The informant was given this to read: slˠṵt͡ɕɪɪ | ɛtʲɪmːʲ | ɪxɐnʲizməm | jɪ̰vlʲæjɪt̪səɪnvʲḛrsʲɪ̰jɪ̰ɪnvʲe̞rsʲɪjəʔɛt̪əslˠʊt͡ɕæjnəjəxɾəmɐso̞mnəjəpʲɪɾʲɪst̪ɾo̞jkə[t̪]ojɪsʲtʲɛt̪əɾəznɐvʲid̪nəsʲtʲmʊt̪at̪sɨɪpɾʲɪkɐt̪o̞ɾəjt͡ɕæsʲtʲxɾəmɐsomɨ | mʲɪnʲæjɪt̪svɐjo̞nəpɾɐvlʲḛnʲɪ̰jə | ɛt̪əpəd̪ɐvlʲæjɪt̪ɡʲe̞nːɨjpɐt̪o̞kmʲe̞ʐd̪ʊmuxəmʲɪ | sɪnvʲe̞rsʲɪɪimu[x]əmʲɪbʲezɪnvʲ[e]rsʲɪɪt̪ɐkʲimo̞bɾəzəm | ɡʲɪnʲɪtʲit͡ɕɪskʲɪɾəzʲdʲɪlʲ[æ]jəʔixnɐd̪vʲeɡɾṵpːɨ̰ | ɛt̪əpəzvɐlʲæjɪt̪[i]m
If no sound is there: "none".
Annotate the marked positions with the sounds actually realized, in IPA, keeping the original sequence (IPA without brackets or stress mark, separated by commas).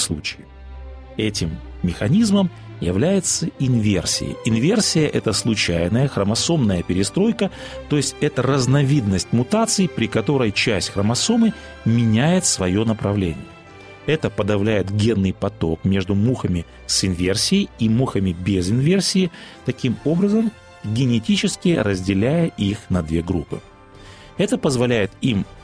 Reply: t̪, x, e, æ, i